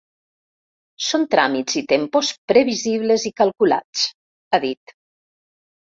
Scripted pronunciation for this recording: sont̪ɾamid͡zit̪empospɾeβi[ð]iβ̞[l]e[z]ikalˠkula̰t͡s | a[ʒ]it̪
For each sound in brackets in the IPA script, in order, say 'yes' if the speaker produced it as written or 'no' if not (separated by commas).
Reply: no, yes, yes, no